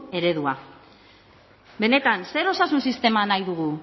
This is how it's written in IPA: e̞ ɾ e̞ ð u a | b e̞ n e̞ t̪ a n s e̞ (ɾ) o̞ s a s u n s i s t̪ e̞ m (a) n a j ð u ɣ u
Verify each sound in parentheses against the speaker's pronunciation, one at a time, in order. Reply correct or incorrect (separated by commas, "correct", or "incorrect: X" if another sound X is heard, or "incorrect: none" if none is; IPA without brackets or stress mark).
correct, correct